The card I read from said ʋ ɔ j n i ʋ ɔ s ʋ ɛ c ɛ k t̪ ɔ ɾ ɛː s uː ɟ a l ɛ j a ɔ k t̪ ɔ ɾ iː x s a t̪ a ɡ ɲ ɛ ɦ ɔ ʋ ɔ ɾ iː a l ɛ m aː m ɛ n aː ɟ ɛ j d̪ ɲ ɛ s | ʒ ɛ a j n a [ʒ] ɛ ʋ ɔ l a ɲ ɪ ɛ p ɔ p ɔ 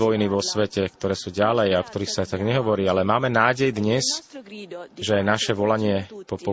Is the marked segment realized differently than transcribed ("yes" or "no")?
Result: yes